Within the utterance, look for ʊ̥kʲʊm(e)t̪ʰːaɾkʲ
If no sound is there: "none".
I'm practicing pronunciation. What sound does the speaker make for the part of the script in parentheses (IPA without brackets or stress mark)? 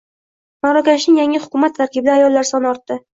a